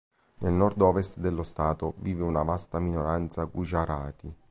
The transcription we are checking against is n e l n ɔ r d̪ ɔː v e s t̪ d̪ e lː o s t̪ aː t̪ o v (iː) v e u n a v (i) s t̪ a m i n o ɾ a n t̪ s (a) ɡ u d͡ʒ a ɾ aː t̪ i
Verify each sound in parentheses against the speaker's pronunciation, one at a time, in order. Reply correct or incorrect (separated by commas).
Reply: correct, incorrect, correct